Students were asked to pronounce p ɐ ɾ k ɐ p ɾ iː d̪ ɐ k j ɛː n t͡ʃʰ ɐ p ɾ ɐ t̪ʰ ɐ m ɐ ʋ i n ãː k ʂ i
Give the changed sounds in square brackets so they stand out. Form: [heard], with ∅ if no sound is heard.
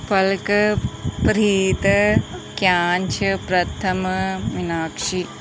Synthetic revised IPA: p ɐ [l] k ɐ p ɾ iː [t̪] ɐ k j [aː] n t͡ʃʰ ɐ p ɾ ɐ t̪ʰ ɐ m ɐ ʋ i n [aː] k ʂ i